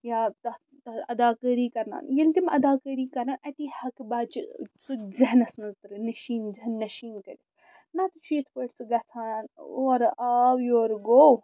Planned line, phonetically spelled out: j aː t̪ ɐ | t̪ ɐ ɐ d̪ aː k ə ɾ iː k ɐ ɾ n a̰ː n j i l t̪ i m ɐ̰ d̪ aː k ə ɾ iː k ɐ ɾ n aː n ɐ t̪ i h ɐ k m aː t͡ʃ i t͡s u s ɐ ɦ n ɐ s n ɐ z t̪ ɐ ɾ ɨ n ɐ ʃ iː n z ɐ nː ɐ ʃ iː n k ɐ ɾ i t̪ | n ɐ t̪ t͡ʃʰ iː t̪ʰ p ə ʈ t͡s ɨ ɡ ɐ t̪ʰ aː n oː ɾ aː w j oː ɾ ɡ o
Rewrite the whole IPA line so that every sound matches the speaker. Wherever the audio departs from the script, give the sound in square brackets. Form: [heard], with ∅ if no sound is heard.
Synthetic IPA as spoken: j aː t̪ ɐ | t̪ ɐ ɐ d̪ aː k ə ɾ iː k ɐ ɾ n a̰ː n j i l t̪ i m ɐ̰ d̪ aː k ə ɾ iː k ɐ ɾ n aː n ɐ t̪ i h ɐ k [b] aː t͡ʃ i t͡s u [z] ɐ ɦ n ɐ s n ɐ z t̪ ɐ ɾ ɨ n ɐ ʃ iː n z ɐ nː ɐ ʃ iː n k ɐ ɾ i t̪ | n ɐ t̪ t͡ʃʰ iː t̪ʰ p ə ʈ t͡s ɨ ɡ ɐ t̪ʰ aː n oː ɾ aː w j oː ɾ ɡ o